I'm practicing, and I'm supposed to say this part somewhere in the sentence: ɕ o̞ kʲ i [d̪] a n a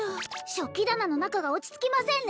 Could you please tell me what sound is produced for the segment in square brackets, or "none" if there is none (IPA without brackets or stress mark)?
d̪